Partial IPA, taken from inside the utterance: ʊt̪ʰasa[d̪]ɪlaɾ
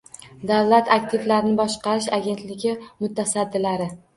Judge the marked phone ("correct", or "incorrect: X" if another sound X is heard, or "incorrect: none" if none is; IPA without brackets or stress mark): incorrect: d̪ː